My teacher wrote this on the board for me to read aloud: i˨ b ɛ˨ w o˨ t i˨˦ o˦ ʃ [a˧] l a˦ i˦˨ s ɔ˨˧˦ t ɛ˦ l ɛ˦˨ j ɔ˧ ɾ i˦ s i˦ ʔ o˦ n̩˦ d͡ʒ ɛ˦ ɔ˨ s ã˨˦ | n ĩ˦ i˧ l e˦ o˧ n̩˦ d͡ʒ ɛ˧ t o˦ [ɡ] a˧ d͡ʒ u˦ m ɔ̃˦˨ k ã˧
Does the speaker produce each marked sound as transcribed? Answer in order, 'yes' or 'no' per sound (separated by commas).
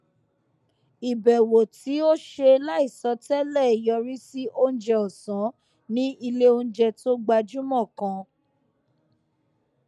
no, no